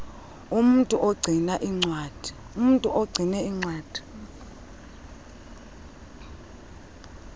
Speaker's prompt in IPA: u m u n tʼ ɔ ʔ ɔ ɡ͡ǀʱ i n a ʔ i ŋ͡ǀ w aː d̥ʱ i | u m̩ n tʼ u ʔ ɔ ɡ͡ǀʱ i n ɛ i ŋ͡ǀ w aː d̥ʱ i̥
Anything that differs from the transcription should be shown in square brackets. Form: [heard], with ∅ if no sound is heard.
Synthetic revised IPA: u m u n tʼ [u] ʔ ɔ ɡ͡ǀʱ i n a ʔ i ŋ͡ǀ w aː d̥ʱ i | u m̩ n tʼ u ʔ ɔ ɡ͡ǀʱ i n ɛ i ŋ͡ǀ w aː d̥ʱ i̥